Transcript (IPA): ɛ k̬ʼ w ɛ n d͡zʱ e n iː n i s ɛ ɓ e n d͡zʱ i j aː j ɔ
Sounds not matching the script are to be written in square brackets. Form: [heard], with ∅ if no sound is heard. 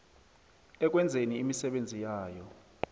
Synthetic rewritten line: ɛ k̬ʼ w ɛ n d͡zʱ e n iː [m] i s ɛ ɓ e n d͡zʱ i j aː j ɔ